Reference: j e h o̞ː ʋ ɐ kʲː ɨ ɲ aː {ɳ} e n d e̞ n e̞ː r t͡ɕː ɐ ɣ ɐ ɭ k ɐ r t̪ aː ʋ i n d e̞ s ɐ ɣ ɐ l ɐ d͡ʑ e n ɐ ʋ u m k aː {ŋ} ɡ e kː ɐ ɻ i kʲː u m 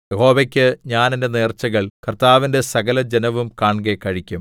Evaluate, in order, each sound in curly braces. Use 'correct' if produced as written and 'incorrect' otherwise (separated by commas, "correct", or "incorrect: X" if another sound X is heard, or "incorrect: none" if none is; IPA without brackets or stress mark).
incorrect: n, incorrect: ɳ